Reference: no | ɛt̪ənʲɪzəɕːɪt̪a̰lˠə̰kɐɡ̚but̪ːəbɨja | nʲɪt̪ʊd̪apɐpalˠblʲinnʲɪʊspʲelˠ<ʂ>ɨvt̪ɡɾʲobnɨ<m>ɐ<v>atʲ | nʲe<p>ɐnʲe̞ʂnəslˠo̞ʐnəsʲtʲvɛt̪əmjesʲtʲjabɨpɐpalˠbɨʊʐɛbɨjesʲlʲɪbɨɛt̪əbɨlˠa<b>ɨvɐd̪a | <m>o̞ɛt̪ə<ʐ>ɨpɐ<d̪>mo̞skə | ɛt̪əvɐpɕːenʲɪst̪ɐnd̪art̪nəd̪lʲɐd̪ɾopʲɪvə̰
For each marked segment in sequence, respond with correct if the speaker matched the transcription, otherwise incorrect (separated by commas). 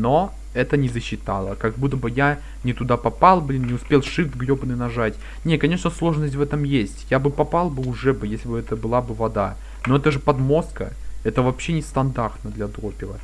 correct, incorrect, incorrect, incorrect, correct, incorrect, correct, correct